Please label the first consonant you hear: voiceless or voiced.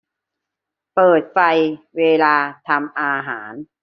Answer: voiceless